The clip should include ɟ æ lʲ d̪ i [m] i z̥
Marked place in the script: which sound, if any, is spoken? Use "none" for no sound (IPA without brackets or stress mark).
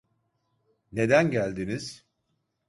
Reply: n